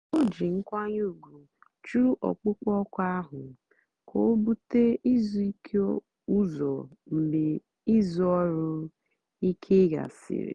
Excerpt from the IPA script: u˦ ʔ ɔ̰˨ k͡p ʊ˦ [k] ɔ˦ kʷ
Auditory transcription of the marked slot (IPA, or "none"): k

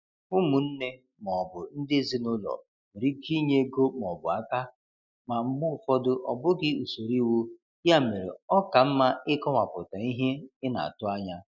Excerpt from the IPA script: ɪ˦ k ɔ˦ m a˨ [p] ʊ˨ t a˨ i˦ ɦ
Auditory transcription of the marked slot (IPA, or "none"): p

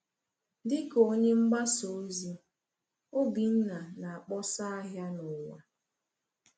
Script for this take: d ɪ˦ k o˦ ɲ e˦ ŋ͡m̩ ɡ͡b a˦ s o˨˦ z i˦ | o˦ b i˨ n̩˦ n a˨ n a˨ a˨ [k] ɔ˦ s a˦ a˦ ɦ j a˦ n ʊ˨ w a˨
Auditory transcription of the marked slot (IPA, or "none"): k͡p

